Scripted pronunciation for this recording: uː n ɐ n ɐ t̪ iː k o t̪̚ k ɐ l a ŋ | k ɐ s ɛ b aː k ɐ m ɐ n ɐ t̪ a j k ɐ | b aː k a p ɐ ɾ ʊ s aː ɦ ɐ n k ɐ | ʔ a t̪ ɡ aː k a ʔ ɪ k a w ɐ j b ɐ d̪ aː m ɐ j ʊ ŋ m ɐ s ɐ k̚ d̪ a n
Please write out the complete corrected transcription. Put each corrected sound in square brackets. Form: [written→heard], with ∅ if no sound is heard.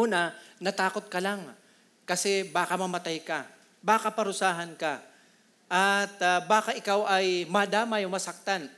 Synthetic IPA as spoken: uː n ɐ n ɐ t̪ [iː→aː] k o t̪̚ k ɐ l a ŋ | k ɐ s ɛ b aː k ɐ m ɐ [n→m] ɐ t̪ a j k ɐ | b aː k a p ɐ ɾ ʊ s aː ɦ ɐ n k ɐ | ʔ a t̪ [ɡ→b] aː k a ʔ ɪ k a w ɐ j [b→m] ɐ d̪ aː m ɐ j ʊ ŋ m ɐ s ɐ k̚ [d̪→t̪] a n